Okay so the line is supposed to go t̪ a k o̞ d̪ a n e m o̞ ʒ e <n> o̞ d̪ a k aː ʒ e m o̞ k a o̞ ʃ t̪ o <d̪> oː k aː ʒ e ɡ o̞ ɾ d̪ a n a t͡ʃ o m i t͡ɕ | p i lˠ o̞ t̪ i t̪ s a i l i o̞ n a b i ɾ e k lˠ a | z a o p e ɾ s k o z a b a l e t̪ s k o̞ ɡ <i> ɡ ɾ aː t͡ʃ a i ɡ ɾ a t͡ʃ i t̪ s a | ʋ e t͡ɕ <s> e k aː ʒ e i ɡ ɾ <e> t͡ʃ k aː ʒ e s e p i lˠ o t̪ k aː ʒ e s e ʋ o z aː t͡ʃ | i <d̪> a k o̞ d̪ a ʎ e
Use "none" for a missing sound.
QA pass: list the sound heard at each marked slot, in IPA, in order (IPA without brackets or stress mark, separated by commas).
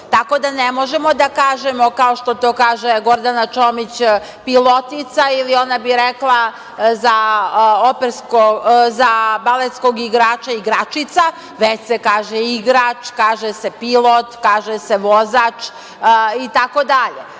m, t̪, i, s, a, t̪